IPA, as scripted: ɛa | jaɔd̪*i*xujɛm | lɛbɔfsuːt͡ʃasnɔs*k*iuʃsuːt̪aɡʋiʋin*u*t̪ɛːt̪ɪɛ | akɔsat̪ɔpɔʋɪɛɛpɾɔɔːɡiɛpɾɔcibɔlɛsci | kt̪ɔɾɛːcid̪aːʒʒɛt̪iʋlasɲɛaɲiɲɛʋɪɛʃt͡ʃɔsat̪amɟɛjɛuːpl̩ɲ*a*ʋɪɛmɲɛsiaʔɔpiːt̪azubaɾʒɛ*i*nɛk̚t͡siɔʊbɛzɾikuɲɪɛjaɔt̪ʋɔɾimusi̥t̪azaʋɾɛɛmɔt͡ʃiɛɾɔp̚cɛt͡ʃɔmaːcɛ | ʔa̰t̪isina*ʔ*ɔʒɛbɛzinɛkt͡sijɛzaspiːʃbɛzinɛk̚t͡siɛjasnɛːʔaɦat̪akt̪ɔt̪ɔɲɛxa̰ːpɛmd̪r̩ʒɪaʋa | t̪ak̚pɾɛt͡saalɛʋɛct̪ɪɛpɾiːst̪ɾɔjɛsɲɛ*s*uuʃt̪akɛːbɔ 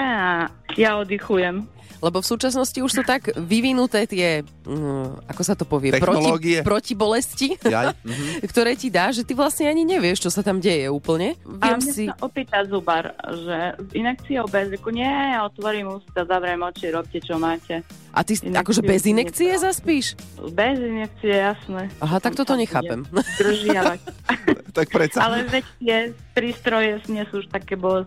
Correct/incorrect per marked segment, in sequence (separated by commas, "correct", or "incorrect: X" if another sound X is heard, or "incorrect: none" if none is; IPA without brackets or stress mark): correct, incorrect: c, correct, incorrect: ɛ, correct, incorrect: k, correct